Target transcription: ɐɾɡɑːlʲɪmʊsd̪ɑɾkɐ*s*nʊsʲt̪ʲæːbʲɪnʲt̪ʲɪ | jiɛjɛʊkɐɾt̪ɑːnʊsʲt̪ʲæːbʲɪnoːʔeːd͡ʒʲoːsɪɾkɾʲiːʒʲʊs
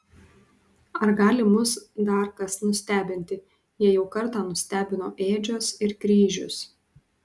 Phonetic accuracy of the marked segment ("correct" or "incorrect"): correct